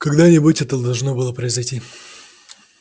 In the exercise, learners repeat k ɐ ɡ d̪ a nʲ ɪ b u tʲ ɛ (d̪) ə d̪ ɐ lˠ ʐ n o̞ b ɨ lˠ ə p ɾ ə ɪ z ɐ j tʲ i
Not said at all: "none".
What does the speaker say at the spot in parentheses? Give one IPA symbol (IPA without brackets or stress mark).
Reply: t̪